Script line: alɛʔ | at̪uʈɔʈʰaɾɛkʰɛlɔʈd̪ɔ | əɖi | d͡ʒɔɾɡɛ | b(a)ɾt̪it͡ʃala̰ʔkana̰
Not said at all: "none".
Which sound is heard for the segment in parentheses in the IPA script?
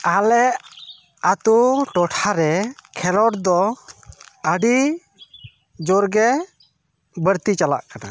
ə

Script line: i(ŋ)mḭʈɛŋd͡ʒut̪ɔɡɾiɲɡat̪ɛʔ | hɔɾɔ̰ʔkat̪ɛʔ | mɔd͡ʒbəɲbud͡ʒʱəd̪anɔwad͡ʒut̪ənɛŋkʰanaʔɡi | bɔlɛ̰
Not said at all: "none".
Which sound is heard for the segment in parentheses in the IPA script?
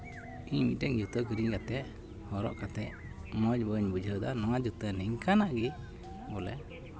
ɲ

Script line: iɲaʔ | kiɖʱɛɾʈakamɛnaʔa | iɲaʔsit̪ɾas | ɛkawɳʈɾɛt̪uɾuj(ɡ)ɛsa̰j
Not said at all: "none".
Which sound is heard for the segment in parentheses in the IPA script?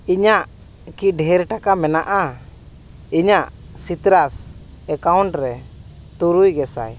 ɡ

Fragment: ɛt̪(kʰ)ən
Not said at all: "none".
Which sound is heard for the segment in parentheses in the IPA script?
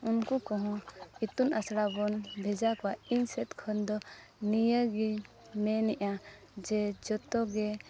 kʰ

